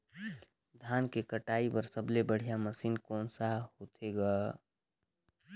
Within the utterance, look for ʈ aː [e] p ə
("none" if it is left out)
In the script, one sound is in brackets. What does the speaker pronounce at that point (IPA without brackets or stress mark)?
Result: i